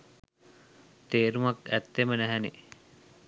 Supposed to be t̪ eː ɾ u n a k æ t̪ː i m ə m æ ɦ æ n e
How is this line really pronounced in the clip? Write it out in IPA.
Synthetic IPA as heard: t̪ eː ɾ u m a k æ t̪ː e m ə n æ ɦ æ n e